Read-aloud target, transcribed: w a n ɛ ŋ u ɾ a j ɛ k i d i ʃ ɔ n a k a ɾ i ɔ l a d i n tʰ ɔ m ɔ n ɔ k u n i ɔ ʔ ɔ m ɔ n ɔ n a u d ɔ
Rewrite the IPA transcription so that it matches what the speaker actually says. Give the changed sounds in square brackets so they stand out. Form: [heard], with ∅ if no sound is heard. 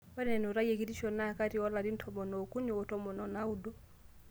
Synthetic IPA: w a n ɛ [n] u ɾ a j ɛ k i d i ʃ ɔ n a k a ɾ i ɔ l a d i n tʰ ɔ m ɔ n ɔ k u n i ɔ [t] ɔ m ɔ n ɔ n a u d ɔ